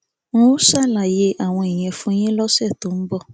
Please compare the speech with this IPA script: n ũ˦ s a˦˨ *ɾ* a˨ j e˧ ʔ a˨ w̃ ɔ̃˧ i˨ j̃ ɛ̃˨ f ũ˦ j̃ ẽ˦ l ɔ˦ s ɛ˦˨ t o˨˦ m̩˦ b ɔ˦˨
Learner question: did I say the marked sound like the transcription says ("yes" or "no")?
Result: no